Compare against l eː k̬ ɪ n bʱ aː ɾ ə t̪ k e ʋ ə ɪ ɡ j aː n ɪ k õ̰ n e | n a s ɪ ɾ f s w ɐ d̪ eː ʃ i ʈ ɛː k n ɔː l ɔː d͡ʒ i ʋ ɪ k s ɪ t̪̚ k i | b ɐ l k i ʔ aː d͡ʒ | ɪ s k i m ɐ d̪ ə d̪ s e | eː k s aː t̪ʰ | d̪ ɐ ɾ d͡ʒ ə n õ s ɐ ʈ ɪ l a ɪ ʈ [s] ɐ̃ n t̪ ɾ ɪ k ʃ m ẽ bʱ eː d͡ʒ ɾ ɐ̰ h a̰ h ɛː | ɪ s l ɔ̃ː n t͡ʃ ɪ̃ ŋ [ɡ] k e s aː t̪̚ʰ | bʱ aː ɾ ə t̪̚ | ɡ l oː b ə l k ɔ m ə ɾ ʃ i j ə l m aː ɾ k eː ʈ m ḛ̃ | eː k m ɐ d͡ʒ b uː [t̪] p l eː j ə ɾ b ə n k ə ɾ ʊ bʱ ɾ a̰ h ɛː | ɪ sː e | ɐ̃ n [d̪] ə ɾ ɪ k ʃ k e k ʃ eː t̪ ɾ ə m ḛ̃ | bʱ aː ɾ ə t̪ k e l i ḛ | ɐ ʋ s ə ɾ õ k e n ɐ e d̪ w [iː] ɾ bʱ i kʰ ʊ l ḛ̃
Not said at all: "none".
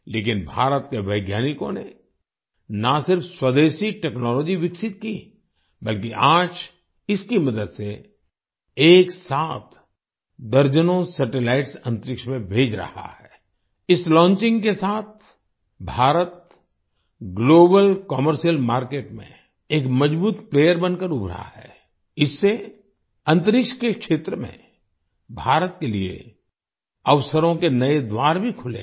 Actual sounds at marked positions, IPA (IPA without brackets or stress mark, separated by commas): s, ɡ, t̪, t̪, aː